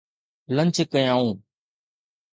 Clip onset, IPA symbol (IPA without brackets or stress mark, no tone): l